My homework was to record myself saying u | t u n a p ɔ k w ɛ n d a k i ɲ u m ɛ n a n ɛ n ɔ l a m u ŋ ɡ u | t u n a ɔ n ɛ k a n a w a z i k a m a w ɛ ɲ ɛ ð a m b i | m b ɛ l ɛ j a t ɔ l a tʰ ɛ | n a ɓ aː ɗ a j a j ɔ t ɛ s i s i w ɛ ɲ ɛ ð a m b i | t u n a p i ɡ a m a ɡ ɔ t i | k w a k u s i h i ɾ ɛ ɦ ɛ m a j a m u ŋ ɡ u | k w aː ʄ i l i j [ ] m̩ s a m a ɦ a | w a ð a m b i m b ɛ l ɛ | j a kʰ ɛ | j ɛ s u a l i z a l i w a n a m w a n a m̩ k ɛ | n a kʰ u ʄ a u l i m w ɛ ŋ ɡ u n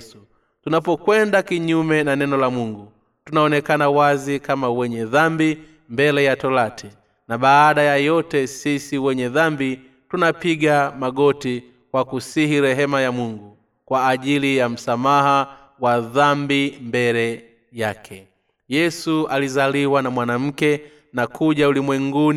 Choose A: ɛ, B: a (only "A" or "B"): B